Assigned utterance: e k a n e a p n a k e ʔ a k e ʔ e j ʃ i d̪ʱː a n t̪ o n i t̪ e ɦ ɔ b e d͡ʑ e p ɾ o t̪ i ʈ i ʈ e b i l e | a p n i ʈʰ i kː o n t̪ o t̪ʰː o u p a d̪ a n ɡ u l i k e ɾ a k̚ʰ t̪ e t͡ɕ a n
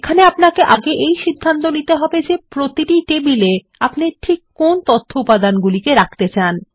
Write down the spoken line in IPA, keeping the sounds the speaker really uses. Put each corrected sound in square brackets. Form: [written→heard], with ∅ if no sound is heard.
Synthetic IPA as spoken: e [k→kʰ] a n e a p n a k e ʔ a [k→ɡ] e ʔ e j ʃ i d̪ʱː a n t̪ o n i t̪ e ɦ ɔ b e d͡ʑ e p ɾ o t̪ i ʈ i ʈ e b i l e | a p n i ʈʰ i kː o n t̪ o t̪ʰː o u p a d̪ a n ɡ u l i k e ɾ a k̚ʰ t̪ e t͡ɕ a n